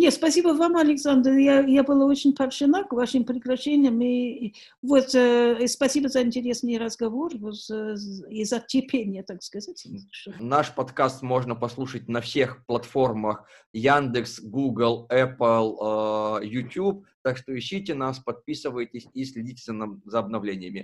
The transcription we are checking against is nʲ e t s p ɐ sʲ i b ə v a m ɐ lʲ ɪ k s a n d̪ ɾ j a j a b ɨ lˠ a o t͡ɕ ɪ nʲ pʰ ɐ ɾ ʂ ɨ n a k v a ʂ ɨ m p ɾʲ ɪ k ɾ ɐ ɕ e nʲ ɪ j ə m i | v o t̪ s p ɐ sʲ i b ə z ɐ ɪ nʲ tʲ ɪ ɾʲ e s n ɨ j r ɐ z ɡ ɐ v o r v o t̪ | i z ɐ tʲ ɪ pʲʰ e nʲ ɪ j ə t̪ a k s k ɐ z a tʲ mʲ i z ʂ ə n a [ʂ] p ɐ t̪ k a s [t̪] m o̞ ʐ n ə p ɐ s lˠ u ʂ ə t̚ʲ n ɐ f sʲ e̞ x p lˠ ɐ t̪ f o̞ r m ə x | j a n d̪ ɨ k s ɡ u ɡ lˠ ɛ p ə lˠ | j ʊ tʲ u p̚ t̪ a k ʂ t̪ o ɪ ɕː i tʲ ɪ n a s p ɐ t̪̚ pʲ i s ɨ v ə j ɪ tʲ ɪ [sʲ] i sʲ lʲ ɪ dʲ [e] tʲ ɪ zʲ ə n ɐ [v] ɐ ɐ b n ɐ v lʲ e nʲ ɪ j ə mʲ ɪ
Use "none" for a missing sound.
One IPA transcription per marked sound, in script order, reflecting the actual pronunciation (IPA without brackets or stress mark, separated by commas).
ʂ, t̪, sʲ, i, z